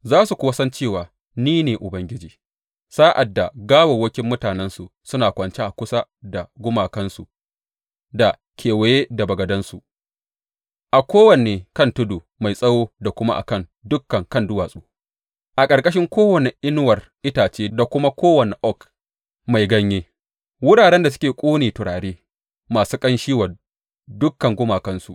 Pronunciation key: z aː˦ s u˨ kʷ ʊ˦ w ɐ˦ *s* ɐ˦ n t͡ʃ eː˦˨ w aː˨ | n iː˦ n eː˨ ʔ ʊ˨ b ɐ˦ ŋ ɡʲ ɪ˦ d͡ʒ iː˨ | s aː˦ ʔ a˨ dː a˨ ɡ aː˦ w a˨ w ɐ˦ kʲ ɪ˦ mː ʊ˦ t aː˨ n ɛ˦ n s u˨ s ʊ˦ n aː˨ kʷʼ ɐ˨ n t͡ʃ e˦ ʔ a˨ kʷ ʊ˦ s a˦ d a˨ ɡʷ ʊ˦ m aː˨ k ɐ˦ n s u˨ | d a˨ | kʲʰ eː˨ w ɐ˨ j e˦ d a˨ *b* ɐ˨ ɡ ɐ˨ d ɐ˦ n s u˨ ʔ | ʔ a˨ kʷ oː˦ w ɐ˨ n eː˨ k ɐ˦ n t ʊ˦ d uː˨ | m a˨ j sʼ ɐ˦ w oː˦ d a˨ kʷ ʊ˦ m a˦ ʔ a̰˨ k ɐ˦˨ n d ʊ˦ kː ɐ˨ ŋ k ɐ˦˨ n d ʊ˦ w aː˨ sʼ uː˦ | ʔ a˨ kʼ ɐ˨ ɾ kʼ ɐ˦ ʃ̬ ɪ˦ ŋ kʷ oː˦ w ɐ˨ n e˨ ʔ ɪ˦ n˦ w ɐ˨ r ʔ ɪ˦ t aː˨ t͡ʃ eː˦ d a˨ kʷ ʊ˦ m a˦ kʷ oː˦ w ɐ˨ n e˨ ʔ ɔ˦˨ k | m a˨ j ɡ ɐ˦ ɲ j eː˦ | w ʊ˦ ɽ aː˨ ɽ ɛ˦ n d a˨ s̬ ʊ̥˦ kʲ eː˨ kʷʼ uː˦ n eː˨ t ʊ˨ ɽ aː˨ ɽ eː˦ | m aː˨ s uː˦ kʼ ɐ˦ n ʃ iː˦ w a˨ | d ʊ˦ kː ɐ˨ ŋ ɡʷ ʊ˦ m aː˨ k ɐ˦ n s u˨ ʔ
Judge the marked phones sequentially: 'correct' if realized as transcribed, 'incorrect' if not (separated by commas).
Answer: correct, correct